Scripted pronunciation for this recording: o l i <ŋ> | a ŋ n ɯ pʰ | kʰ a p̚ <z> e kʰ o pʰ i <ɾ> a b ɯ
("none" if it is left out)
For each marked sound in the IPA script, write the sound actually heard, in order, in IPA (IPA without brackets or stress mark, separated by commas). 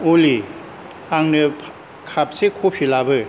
none, s, l